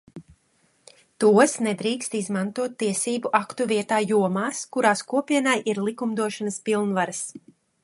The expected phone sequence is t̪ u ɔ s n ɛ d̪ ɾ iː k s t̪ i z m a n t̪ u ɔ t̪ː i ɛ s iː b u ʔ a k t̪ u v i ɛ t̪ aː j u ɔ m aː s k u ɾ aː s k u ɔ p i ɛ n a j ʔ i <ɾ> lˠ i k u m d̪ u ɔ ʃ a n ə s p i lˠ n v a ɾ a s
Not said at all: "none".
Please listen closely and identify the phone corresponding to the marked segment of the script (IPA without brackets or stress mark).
ɾ